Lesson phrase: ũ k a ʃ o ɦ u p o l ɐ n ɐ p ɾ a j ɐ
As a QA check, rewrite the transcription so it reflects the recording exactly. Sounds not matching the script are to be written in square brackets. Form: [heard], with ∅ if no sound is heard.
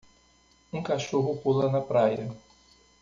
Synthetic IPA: ũ k a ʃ o ɦ [ʊ] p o l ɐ n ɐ p ɾ a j ɐ